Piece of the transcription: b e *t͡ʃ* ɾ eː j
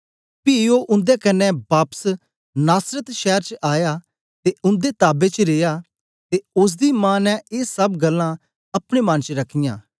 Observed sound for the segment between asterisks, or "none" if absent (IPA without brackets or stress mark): t͡ʃ